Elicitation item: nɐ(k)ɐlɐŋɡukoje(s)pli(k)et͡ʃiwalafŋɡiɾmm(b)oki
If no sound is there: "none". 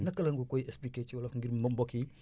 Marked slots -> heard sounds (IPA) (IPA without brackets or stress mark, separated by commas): k, s, k, b